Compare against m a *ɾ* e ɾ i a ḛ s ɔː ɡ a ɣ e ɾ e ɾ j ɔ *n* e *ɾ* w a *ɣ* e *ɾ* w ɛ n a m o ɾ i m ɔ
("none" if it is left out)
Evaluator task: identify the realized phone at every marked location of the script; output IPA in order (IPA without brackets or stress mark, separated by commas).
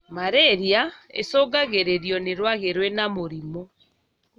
ɾ, n, ɾ, ɣ, ɾ